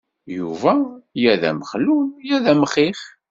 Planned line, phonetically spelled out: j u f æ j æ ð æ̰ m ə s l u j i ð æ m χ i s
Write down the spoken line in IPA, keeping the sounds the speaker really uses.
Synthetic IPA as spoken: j u v æ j æ ð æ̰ m ə χ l u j æ ð æ m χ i χ